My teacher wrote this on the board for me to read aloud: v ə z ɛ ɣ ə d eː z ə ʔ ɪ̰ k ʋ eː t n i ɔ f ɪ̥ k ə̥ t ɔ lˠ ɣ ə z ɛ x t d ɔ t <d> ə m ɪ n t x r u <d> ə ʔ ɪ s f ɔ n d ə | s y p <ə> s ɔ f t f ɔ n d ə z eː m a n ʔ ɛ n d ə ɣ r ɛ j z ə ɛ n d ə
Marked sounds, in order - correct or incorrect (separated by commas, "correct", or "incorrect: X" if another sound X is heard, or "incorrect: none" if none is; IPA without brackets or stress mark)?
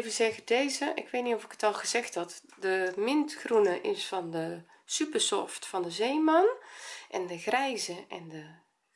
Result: correct, incorrect: n, correct